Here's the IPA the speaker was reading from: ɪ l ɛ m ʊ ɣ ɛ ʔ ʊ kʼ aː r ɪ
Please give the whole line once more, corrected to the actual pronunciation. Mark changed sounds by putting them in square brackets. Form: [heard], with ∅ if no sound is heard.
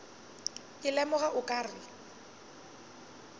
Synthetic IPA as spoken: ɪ l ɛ m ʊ ɣ [a] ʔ ʊ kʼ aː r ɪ